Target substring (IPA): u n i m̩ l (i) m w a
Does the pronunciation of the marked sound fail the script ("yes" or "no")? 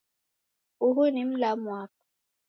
yes